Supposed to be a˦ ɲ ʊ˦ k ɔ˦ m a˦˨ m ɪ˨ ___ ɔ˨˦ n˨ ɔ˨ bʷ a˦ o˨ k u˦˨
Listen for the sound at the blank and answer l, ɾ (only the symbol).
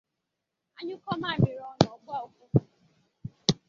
ɾ